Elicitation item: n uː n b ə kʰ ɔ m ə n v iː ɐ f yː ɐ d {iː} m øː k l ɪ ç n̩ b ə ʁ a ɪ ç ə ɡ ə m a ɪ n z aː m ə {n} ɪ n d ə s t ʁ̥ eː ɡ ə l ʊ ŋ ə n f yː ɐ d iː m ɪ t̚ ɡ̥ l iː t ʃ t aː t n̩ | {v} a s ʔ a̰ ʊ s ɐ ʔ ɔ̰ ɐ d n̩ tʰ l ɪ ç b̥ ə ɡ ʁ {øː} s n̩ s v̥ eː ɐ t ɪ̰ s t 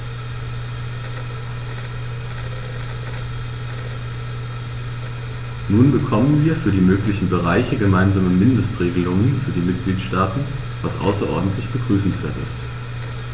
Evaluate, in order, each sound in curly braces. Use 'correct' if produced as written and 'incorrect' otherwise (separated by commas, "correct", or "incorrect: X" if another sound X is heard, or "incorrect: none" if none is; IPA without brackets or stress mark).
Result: correct, incorrect: m, correct, incorrect: yː